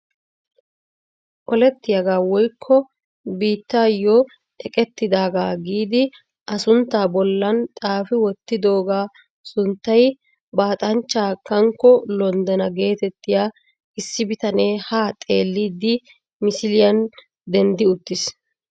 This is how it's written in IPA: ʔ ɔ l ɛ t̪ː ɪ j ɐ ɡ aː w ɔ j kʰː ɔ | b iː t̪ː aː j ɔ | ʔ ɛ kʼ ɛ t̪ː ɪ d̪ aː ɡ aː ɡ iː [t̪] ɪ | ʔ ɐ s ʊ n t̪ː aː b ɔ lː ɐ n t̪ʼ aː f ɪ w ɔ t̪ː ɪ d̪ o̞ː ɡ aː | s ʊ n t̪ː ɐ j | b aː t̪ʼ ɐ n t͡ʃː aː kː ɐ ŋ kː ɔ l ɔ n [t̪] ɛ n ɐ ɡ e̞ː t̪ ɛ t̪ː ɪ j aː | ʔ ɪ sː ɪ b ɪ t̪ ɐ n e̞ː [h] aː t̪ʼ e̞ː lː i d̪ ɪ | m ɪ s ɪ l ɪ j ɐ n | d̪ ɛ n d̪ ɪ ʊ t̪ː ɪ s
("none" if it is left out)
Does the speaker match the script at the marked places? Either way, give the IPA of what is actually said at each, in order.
d̪, d̪, h

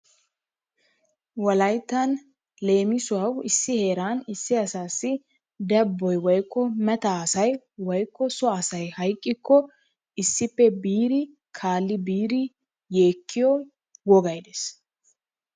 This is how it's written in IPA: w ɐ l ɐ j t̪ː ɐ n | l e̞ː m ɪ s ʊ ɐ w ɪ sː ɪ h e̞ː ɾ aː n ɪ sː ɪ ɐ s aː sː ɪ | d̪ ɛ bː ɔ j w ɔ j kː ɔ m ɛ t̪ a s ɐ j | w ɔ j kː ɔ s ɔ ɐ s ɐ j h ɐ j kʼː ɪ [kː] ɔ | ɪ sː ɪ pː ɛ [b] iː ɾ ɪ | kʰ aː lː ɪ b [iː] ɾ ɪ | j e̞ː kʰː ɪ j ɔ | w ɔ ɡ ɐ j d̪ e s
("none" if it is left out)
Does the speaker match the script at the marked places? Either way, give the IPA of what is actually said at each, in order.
kː, b, iː

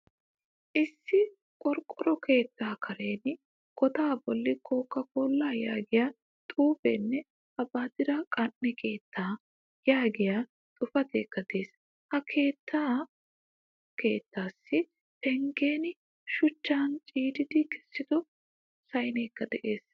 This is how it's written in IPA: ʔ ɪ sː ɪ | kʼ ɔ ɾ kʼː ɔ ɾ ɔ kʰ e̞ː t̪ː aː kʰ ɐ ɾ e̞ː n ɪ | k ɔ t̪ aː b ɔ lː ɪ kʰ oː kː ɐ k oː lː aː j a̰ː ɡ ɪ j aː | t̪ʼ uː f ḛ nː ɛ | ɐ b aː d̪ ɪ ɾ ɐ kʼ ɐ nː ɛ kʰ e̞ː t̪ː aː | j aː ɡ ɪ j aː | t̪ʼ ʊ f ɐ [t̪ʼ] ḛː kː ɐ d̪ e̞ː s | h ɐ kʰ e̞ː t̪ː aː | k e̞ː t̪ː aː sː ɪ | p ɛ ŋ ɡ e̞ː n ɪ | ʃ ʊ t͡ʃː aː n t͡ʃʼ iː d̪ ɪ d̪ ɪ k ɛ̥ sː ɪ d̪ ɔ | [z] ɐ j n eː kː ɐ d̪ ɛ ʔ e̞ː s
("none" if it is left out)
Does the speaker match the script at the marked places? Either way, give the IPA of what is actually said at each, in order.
t̪, s

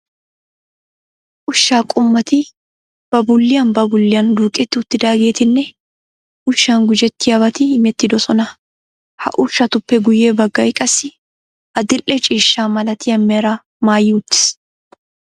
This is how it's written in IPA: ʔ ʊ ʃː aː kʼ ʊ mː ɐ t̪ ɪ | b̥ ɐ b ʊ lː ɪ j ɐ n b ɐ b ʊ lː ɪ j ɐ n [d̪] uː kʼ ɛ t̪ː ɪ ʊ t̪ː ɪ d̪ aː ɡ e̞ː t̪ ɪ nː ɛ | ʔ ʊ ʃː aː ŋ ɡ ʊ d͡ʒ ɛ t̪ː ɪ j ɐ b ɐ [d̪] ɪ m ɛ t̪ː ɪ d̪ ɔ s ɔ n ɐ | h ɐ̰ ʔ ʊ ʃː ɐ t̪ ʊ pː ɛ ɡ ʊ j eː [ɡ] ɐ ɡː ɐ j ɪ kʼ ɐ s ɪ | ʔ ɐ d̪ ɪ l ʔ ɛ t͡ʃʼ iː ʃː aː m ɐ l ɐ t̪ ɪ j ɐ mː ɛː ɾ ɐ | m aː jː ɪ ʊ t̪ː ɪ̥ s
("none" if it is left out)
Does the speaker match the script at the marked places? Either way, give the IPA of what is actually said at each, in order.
d̪, t̪, b

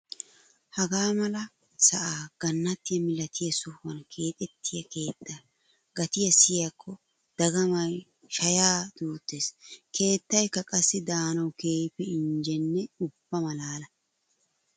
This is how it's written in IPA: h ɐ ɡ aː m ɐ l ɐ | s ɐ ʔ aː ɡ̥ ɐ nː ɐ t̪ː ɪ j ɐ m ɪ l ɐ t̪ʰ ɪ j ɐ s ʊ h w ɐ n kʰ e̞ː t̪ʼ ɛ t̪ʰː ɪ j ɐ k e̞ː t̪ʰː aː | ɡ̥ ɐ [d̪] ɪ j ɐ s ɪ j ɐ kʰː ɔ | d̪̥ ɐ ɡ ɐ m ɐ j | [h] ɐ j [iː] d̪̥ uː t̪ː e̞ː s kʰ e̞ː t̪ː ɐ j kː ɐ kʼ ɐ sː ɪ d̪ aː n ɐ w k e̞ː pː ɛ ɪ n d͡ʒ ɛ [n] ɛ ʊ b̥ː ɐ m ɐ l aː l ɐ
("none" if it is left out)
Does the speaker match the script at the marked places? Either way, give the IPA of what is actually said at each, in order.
t̪, ʃ, aː, nː

